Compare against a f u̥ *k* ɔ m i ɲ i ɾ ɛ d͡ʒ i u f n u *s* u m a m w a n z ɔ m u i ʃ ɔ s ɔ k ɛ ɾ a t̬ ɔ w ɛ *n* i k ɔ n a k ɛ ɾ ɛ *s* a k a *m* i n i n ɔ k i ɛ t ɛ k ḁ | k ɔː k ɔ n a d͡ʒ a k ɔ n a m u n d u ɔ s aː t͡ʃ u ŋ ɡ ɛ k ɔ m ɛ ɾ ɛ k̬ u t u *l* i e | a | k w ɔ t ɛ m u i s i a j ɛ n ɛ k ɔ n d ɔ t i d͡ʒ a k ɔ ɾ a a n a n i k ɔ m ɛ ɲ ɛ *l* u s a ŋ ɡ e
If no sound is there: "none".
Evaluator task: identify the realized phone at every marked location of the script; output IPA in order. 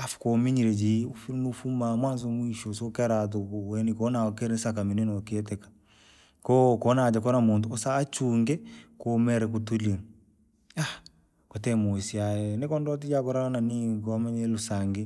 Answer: k, f, n, s, m, l, l

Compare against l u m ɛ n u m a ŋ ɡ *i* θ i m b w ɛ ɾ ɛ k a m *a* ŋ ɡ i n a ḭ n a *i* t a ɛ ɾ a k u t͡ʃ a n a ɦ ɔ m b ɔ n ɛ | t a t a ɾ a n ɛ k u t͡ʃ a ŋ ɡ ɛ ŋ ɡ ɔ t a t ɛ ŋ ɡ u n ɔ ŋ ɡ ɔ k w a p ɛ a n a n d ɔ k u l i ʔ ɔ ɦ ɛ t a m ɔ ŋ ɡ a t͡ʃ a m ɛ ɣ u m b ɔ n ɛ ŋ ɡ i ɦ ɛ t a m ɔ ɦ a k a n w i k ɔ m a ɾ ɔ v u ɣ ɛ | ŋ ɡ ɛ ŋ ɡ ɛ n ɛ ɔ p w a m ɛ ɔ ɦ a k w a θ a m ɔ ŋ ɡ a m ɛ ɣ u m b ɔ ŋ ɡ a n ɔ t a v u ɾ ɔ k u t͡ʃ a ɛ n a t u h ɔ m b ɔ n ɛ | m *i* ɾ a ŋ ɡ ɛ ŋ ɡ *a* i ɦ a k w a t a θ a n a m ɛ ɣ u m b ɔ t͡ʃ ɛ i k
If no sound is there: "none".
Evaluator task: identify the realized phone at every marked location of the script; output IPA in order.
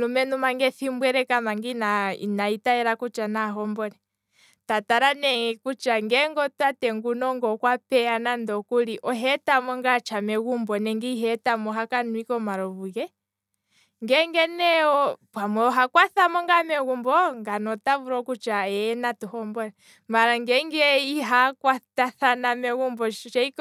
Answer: ɛ, a, i, a, ɛ

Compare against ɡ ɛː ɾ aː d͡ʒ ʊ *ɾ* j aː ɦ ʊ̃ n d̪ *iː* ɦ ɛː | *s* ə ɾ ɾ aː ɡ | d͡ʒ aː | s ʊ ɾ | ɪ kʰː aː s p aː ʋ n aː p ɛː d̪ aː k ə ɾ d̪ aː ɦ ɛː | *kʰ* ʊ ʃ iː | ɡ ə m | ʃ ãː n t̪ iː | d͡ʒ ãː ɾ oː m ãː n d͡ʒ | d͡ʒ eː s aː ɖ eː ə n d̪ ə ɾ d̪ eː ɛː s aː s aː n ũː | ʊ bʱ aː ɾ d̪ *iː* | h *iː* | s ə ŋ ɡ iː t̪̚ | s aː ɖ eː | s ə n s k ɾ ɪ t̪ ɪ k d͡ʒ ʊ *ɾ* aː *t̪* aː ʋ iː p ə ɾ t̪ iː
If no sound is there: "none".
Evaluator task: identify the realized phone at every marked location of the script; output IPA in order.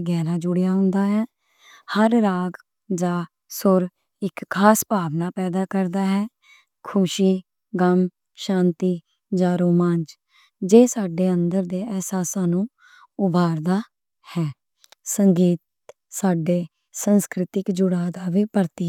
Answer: ɽ, aː, h, kʰ, aː, ɛː, ɽ, d̪

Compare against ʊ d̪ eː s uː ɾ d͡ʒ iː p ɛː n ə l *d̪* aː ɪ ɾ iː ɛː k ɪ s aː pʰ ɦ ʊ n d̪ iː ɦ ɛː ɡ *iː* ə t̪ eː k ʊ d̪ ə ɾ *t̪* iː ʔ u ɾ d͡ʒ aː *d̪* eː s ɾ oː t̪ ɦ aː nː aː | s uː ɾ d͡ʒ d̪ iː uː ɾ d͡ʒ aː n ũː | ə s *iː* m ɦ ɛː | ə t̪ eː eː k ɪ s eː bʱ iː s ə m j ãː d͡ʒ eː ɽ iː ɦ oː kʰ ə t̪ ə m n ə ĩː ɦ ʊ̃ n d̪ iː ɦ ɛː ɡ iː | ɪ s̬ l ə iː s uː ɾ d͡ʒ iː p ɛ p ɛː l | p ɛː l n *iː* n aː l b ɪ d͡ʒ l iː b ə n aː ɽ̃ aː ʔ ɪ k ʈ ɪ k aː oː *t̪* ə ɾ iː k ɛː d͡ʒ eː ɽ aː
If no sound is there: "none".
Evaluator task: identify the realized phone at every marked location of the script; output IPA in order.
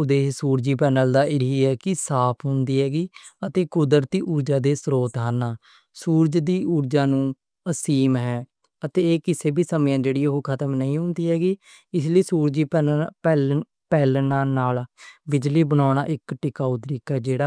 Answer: d̪, iː, t̪, d̪, iː, aː, t̪

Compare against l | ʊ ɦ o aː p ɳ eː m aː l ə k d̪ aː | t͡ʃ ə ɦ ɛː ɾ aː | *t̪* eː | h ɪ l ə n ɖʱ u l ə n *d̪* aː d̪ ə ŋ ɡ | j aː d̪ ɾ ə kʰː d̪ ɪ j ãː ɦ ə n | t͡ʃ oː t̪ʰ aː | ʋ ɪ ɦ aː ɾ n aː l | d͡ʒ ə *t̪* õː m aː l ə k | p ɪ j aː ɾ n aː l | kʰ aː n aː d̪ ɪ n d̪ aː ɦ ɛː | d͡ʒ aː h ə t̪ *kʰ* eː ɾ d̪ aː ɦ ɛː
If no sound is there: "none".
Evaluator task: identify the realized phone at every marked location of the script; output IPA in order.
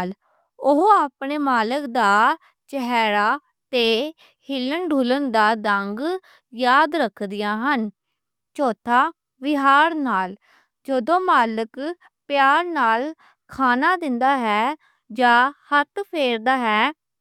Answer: t̪, d̪, d̪, pʰ

